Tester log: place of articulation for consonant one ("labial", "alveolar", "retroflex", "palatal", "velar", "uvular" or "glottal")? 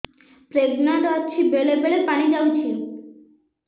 labial